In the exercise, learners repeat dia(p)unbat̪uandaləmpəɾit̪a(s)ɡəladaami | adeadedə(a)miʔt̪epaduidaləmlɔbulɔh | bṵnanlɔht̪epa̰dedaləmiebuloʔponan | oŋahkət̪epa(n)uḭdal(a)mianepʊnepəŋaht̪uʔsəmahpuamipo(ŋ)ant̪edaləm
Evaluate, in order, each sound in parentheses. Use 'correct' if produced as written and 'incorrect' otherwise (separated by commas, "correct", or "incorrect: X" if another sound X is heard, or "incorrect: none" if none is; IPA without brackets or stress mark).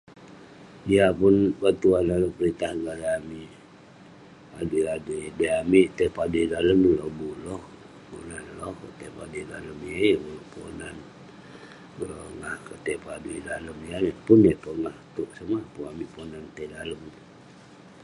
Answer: correct, incorrect: h, correct, incorrect: d, incorrect: ə, incorrect: n